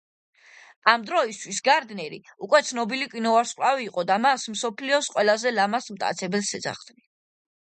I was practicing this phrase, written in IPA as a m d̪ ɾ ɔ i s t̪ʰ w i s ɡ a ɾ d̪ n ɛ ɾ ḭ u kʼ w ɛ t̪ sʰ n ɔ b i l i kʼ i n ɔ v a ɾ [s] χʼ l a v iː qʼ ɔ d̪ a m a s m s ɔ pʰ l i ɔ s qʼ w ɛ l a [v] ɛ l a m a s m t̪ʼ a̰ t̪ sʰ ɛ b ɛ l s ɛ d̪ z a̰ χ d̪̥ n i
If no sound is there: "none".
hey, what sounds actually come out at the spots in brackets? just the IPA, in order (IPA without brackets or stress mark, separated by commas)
s, z